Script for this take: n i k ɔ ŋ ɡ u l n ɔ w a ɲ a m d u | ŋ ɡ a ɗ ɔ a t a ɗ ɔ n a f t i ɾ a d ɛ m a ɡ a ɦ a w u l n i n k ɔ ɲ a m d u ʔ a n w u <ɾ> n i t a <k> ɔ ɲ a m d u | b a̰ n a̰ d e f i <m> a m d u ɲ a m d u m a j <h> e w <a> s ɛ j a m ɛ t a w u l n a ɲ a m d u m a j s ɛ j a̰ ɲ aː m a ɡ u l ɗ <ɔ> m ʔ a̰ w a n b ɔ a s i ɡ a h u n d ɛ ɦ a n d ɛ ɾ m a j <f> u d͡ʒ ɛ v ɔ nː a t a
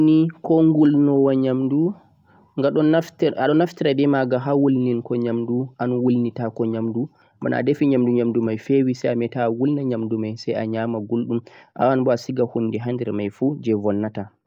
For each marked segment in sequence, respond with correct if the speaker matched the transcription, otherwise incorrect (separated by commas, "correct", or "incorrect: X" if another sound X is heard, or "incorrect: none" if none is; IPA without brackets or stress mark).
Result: incorrect: l, correct, incorrect: ɲ, incorrect: f, incorrect: i, incorrect: u, correct